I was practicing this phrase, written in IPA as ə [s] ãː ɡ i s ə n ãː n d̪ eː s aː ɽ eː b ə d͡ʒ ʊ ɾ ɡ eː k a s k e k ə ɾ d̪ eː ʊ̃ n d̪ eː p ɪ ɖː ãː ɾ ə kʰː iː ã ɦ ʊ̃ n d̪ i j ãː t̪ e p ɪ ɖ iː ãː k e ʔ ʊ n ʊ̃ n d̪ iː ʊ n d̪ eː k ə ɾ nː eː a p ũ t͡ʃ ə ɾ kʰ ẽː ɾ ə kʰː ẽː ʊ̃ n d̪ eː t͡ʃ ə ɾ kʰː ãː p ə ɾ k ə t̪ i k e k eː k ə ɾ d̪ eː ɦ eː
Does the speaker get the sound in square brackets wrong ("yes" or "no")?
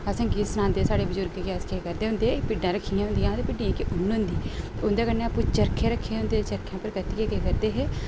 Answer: no